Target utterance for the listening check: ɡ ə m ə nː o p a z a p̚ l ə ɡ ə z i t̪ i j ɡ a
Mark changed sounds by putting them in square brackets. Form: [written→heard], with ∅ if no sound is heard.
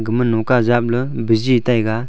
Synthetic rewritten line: ɡ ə m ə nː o [p→k] a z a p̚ l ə [ɡ→b] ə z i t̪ [i→a] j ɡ a